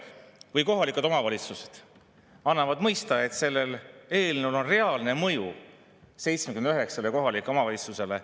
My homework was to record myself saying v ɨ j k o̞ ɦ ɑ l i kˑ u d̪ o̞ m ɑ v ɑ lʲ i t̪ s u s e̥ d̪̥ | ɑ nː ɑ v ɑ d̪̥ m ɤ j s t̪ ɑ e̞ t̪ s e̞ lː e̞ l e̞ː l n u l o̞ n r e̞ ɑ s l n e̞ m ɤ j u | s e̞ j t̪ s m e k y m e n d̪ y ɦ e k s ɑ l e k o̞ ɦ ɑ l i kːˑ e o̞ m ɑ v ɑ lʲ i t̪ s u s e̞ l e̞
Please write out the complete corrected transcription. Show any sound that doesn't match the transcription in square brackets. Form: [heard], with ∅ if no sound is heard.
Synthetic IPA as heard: v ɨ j k o̞ ɦ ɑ l i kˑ u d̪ o̞ m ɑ v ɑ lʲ i t̪ s u s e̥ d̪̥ | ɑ nː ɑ v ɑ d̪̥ m ɤ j s t̪ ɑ e̞ t̪ s e̞ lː e̞ l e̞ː l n u l o̞ n r e̞ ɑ [∅] l n e̞ m ɤ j u | s e̞ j t̪ s m e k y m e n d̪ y ɦ e k s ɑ l e k o̞ ɦ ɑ l i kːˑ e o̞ m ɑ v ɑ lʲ i t̪ s u s e̞ l e̞